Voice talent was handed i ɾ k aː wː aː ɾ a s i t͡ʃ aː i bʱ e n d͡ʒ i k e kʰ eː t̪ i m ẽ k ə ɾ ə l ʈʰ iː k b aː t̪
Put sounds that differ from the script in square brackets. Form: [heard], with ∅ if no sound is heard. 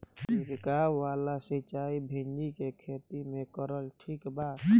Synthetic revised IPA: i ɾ k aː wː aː [l] a s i t͡ʃ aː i bʱ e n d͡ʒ i k e kʰ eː t̪ i m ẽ k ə ɾ ə l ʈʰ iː k b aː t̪